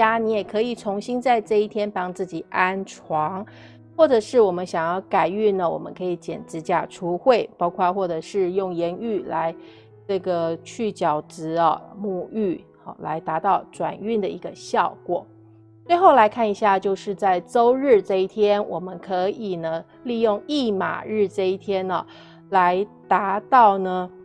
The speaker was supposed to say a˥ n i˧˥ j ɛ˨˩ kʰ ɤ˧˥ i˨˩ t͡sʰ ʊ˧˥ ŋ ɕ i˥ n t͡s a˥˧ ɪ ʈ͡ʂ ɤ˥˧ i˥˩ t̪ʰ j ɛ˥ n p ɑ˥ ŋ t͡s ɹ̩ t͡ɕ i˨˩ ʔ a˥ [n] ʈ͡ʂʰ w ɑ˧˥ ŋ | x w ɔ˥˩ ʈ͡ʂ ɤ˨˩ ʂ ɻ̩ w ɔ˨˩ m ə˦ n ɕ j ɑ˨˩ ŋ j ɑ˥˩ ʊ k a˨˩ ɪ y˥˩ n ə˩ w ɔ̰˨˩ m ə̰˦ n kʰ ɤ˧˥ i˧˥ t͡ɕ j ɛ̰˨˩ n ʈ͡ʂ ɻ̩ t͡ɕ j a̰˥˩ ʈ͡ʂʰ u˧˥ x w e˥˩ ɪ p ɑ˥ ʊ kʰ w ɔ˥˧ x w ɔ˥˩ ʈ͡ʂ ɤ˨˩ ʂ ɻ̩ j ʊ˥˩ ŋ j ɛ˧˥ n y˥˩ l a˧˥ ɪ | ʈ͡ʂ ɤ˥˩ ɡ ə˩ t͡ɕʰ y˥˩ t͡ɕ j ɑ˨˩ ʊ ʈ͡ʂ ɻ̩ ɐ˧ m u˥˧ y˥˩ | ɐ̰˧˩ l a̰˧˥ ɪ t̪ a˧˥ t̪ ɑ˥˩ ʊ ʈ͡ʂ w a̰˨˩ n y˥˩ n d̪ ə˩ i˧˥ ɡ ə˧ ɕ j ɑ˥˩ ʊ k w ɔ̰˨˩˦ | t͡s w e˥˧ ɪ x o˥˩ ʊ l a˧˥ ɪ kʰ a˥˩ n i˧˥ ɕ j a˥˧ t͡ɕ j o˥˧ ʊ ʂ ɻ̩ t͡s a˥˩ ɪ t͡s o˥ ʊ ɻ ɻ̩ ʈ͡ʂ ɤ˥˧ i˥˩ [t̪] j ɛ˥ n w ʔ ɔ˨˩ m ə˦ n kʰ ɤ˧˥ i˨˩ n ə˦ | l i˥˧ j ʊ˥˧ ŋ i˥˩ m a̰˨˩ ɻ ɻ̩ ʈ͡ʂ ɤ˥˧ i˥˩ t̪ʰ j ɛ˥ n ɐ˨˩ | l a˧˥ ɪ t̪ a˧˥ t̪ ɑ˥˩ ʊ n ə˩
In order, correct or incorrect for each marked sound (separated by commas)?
correct, incorrect